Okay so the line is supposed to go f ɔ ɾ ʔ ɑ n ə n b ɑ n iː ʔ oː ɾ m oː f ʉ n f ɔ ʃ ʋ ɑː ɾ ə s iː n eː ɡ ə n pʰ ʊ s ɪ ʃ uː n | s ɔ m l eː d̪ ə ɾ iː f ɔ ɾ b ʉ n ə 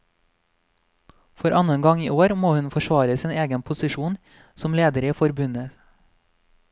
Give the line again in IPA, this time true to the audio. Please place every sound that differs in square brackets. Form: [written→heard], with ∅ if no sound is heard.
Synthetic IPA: f ɔ ɾ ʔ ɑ n ə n [b→ɡ] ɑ [n→ŋ] iː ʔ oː ɾ m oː [f→h] ʉ n f ɔ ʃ ʋ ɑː ɾ ə s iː n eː ɡ ə n pʰ ʊ s ɪ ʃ uː n | s ɔ m l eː d̪ ə ɾ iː f ɔ ɾ b ʉ n ə